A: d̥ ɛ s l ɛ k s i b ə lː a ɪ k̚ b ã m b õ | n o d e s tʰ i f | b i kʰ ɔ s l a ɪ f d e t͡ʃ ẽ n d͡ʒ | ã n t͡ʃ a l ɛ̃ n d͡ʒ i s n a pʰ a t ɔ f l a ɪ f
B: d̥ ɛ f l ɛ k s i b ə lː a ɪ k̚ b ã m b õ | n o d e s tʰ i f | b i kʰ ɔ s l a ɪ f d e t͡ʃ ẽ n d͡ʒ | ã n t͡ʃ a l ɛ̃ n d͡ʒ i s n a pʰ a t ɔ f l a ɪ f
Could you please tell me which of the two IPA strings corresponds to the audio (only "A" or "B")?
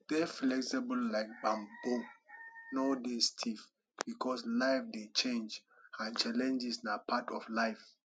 B